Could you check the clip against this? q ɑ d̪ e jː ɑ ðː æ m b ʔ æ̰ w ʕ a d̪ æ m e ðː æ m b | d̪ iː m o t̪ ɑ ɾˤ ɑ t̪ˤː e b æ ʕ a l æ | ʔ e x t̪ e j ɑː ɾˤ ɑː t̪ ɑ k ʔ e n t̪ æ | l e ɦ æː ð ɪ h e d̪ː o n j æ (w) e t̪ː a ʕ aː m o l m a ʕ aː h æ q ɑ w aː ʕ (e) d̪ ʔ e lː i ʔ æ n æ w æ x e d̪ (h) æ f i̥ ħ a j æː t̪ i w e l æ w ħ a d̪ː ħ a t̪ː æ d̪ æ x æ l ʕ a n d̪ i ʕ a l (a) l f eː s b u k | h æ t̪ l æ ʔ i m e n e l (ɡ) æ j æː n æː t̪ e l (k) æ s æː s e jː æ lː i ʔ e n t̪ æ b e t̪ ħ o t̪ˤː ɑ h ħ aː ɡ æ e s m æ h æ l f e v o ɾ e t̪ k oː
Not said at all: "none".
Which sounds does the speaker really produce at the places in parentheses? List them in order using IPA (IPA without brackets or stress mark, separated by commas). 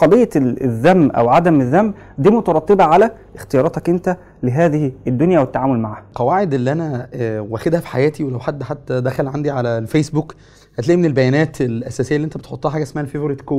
w, e, h, æ, b, ʔ